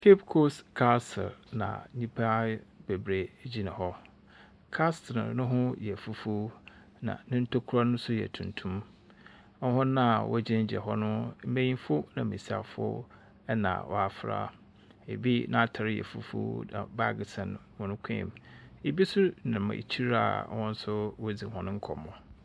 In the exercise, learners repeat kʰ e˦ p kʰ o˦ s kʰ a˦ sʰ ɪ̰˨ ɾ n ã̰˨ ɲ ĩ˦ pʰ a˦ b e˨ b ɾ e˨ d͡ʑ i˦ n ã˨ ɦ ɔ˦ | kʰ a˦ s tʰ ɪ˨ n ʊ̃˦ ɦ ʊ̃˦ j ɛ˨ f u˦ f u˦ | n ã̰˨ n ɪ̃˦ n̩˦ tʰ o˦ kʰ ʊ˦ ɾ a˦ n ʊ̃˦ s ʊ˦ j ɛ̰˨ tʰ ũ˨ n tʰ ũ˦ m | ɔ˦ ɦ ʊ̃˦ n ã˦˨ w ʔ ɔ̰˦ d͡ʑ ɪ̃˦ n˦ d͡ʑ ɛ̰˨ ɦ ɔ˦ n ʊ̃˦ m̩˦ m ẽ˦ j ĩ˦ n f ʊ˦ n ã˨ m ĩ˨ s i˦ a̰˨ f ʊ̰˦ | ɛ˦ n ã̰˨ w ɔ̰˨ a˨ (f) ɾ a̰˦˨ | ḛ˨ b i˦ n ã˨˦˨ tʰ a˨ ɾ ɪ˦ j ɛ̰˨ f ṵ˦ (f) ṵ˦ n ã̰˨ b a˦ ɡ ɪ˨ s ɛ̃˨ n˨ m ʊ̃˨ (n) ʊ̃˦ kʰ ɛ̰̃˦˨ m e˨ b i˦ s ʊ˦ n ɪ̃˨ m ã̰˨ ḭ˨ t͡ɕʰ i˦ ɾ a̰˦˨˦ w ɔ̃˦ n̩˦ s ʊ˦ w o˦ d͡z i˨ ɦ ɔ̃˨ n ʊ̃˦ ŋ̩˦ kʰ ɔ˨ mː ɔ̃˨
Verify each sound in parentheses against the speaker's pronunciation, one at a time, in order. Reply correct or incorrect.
correct, correct, correct

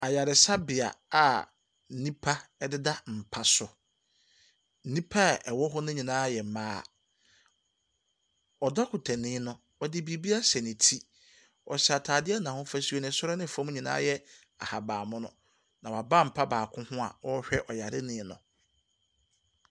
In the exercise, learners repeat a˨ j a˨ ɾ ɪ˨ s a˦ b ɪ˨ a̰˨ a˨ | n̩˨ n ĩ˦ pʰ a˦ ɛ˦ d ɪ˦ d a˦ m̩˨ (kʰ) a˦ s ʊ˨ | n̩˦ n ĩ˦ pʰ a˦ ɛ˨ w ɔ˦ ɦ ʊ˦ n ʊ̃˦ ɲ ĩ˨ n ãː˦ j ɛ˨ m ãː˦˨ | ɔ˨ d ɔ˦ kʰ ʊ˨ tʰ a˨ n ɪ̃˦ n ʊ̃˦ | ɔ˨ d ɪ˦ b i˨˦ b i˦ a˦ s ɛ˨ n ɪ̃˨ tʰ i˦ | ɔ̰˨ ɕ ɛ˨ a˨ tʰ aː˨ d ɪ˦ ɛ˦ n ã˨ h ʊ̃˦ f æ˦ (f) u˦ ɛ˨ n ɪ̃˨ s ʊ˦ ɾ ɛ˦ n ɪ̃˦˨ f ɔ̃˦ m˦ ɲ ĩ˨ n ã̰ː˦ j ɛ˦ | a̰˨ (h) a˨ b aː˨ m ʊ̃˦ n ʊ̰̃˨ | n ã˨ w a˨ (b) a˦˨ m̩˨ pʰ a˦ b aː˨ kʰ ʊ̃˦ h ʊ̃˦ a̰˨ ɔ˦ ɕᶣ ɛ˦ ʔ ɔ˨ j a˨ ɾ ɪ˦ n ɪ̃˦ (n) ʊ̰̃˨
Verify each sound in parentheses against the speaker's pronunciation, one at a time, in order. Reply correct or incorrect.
incorrect: pʰ, incorrect: s, correct, correct, correct

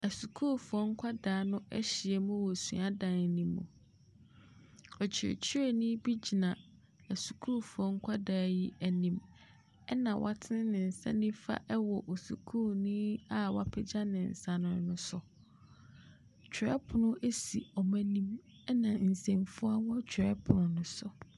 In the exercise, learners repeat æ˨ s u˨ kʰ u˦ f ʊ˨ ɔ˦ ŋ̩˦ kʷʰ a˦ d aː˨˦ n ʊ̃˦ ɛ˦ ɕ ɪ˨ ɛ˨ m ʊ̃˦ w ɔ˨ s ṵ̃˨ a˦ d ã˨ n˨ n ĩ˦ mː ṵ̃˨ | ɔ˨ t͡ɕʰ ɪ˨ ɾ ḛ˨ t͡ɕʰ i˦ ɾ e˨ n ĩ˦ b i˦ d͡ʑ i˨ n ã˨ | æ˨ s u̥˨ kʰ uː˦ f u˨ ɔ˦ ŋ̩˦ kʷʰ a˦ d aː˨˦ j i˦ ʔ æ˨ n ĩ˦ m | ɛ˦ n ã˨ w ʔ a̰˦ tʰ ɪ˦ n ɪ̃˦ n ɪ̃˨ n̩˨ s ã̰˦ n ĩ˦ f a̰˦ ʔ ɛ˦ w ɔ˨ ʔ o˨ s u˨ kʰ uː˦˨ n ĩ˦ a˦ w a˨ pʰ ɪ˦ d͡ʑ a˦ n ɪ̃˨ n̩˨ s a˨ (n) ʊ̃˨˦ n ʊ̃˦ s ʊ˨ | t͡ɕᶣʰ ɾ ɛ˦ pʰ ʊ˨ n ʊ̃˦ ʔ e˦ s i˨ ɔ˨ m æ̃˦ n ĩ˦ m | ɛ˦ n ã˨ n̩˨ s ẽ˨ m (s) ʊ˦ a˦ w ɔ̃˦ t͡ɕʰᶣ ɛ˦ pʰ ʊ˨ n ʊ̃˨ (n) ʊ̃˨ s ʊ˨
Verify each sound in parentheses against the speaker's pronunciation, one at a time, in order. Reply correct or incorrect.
correct, incorrect: f, correct

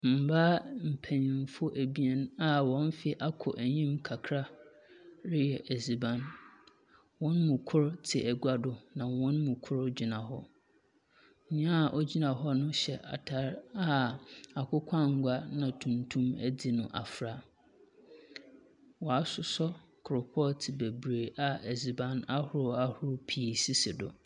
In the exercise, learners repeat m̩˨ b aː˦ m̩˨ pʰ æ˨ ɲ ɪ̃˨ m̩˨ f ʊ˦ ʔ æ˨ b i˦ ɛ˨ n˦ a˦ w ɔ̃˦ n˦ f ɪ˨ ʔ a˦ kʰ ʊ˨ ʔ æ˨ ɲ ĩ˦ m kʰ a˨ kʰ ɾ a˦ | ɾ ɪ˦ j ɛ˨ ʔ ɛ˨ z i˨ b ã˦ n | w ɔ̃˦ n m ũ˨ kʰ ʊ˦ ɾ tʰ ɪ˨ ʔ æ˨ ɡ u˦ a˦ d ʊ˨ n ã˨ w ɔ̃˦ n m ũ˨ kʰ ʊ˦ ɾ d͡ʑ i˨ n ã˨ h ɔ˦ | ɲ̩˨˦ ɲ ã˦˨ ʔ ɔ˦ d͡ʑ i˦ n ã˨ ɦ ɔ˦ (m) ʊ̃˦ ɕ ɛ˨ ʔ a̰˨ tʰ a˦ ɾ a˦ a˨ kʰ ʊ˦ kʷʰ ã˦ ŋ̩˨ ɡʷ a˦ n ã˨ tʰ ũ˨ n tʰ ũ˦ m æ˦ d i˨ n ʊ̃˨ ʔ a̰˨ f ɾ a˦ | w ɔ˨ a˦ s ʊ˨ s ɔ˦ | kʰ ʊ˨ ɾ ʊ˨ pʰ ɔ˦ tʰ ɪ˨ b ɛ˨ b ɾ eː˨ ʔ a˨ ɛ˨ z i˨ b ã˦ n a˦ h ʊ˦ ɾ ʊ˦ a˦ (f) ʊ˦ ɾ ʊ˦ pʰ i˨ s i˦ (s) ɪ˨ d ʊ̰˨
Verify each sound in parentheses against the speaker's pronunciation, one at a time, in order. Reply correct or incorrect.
incorrect: n, incorrect: h, correct

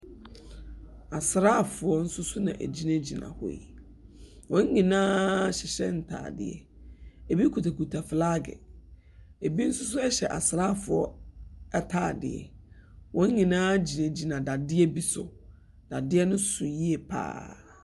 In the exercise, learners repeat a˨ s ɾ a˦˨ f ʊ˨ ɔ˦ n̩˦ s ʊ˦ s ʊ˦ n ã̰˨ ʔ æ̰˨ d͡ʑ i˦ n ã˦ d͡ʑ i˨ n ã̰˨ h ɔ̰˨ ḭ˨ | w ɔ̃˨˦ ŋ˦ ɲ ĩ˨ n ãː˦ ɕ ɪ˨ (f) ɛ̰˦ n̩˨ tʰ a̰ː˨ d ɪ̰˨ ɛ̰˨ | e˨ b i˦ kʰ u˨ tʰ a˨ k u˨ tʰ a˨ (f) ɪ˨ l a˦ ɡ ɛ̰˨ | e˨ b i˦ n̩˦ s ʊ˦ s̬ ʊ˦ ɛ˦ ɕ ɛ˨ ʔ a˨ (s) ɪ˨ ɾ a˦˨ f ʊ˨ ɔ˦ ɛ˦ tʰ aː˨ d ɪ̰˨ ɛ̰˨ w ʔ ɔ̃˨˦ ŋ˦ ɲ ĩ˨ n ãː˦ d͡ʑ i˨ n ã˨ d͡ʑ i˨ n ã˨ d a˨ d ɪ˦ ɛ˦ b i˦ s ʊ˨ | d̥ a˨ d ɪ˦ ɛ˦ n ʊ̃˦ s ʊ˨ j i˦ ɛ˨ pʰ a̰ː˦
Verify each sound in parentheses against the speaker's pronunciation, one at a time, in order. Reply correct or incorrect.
incorrect: ɕ, correct, correct

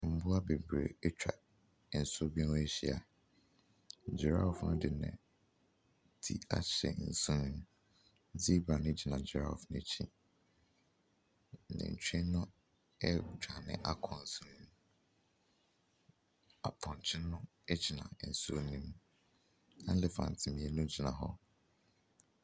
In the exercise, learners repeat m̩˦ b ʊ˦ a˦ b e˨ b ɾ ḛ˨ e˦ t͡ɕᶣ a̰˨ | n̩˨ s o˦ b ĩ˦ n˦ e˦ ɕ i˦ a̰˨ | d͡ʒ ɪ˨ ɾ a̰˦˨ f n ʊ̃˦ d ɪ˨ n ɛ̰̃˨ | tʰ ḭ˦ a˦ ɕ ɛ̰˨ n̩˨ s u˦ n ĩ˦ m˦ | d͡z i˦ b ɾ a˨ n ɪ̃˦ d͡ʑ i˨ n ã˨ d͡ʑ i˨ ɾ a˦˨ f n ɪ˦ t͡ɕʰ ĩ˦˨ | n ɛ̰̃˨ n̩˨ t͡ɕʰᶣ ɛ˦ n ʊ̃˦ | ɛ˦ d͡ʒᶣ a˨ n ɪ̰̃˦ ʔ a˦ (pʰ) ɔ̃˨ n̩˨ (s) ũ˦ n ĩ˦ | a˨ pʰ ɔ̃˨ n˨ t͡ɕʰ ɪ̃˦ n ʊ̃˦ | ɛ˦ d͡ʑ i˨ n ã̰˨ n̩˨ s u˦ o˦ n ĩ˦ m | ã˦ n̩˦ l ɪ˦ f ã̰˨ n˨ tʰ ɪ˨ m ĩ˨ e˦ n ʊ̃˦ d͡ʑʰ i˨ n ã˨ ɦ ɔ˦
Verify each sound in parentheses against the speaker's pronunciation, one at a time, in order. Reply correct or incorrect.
incorrect: kʰ, correct

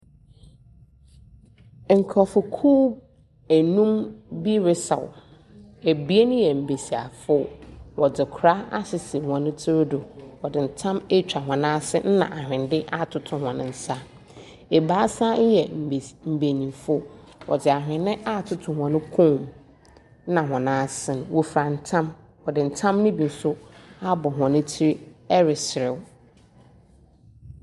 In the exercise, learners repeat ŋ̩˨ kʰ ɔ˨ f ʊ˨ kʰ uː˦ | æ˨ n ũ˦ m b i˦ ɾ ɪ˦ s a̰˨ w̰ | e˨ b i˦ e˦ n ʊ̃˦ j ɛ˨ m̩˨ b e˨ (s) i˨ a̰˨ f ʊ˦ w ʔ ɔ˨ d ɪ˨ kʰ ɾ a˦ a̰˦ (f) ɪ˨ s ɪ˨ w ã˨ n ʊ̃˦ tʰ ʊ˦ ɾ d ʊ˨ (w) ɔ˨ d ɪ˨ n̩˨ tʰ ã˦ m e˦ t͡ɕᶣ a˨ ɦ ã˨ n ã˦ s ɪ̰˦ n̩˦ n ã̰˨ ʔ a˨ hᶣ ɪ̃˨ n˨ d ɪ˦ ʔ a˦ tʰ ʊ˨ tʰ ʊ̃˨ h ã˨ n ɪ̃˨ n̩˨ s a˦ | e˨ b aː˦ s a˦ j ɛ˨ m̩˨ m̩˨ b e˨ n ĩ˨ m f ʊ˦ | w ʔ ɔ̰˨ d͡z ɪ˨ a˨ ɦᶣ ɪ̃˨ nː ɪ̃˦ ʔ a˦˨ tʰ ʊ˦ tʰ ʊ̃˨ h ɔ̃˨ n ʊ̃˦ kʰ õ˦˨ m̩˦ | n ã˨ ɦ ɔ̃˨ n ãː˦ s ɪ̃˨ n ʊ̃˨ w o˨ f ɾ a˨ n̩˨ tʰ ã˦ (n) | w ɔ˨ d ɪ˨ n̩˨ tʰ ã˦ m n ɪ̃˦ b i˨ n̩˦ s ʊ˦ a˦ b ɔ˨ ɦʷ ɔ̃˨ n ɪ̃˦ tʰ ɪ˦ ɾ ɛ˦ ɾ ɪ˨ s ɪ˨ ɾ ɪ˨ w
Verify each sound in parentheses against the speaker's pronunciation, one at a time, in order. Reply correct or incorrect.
correct, incorrect: s, correct, incorrect: m

